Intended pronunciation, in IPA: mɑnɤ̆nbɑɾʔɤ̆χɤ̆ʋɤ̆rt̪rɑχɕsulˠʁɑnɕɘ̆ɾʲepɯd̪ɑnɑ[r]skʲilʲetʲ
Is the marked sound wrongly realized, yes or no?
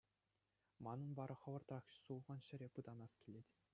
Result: yes